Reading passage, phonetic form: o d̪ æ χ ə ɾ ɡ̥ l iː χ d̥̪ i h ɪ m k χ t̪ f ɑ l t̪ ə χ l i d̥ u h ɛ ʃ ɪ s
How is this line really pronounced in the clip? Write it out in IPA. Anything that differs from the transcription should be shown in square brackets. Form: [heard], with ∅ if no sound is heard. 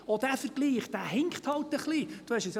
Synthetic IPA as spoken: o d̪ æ [f] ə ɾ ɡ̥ l iː χ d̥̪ [æ] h ɪ [ŋ] k χ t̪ [h] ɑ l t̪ ə χ l i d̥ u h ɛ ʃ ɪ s